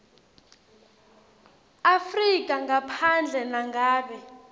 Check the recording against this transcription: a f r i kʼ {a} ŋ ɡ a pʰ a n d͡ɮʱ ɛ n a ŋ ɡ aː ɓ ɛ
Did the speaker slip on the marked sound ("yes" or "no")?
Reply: no